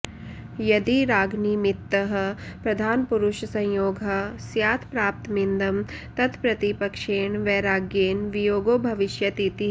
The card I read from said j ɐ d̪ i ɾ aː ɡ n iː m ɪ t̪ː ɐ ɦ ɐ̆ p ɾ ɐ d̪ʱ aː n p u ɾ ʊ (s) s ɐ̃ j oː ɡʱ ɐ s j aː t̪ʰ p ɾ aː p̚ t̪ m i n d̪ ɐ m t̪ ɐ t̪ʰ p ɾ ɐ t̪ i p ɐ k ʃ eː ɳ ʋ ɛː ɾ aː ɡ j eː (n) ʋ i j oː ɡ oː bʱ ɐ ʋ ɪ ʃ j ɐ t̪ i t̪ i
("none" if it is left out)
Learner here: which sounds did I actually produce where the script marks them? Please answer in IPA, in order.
ʃ, n

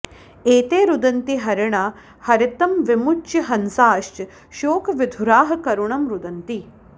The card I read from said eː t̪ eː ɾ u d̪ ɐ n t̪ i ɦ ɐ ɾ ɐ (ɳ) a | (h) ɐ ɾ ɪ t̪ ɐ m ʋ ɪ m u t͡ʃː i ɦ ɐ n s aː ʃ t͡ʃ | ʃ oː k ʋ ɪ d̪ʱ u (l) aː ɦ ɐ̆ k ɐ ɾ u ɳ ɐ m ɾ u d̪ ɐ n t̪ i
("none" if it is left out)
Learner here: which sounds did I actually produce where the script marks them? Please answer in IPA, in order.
ɳ, h, ɾ

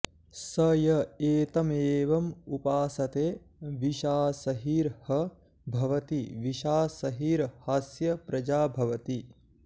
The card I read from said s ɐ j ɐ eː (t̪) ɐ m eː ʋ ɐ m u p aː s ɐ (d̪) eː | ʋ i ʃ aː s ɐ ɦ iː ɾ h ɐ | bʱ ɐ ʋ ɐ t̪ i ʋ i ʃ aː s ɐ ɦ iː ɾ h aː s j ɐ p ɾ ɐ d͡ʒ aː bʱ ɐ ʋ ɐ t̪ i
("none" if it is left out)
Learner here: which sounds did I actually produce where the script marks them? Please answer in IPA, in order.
t̪, t̪

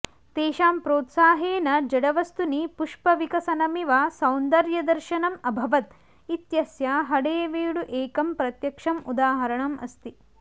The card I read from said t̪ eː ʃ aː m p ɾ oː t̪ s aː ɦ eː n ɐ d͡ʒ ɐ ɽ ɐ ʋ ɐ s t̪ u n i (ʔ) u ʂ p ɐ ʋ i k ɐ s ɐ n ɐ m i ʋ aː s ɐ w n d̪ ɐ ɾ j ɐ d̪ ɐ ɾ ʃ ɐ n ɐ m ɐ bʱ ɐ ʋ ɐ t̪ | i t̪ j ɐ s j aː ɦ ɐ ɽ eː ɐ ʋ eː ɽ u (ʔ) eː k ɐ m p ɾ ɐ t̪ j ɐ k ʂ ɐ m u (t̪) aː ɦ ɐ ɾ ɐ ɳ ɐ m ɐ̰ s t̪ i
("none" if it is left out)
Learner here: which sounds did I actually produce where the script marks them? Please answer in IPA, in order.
p, ʔ, d̪

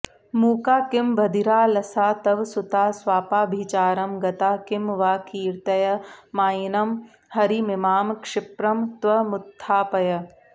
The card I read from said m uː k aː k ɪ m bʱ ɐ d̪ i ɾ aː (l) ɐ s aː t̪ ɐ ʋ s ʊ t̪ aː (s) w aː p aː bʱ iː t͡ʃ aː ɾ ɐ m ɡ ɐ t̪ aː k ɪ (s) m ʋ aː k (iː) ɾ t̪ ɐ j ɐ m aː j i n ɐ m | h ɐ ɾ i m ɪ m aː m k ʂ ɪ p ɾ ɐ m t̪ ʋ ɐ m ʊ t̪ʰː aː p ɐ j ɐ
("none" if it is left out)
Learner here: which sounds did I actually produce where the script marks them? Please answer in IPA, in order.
l, s, none, iː

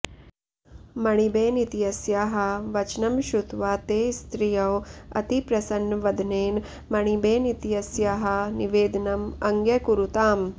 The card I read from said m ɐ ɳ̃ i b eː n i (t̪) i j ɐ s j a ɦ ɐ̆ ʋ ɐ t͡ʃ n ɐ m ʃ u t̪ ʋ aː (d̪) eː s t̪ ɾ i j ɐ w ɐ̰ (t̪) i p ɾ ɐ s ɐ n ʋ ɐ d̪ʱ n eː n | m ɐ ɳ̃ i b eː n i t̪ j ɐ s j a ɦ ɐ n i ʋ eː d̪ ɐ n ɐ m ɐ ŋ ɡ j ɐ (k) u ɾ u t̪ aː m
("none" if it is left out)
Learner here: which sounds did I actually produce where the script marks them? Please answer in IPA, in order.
t̪, t̪, t̪, k

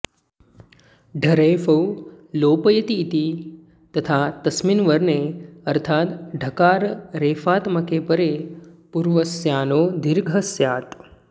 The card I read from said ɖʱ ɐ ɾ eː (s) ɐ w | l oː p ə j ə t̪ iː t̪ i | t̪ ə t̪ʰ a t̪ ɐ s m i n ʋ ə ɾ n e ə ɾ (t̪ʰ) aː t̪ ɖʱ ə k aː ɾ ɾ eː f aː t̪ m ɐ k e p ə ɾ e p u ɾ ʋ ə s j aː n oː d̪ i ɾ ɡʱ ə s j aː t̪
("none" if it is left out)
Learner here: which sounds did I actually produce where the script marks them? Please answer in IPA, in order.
f, t̪ʰ

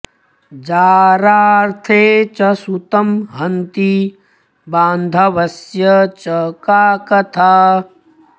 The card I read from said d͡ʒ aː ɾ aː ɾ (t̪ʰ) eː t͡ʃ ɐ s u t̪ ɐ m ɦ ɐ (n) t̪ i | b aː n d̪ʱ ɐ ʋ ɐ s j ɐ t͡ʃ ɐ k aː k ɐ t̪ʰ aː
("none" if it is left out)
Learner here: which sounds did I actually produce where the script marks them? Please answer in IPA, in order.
t̪ʰ, n

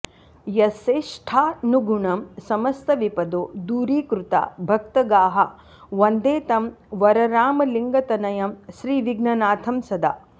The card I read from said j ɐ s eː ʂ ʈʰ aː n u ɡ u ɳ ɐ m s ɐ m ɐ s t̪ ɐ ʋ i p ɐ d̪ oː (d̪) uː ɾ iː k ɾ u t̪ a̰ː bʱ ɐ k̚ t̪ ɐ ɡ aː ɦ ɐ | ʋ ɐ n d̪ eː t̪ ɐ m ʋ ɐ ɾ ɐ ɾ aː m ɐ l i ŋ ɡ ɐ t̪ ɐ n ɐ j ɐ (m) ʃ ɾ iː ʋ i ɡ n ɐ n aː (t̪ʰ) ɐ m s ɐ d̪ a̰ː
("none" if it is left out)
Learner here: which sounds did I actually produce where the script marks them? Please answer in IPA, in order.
d̪, m, t̪ʰ

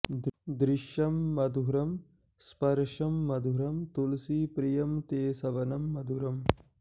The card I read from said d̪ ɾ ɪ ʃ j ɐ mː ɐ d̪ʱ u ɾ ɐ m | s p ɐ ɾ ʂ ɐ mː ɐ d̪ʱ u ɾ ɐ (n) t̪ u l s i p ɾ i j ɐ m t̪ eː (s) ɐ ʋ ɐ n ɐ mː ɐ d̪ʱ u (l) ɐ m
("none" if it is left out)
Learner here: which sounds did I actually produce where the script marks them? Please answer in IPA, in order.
m, s, ɾ

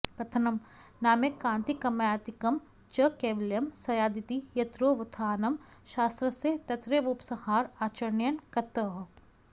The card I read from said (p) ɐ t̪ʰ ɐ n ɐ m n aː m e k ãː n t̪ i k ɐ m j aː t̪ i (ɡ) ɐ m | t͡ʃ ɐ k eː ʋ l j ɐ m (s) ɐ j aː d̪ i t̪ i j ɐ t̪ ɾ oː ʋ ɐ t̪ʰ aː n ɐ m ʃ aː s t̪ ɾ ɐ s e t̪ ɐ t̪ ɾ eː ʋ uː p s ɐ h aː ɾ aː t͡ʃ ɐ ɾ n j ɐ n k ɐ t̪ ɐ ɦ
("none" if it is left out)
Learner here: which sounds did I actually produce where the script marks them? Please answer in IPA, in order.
k, k, s

